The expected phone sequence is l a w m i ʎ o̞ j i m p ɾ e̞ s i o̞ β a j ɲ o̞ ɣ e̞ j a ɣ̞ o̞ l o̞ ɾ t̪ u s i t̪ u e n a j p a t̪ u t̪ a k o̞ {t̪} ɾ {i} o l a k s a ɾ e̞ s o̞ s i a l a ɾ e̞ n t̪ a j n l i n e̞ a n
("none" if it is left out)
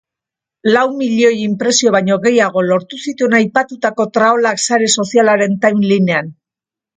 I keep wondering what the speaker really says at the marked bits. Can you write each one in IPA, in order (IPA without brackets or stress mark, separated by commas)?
t̪, a